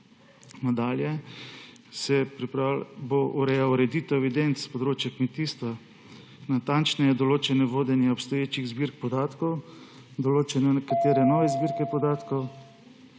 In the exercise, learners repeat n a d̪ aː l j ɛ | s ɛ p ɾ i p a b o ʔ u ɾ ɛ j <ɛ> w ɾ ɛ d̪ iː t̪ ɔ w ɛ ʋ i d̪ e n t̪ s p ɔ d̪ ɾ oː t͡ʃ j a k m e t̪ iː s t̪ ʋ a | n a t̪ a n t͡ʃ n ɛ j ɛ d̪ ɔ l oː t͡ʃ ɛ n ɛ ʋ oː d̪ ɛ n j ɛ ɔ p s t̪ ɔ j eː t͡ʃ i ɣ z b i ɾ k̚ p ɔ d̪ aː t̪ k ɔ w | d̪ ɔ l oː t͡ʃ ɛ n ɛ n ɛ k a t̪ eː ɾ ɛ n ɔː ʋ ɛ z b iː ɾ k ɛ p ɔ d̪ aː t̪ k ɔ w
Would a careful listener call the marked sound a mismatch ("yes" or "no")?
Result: yes